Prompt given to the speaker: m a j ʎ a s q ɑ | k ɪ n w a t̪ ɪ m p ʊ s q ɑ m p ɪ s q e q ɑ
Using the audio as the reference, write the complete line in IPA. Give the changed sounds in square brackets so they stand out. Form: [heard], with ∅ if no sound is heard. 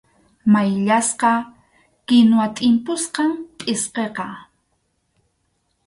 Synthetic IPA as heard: m a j ʎ a s q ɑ | k ɪ n w a [t̪ʼ] ɪ m p ʊ s q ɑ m [pʼ] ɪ s q e q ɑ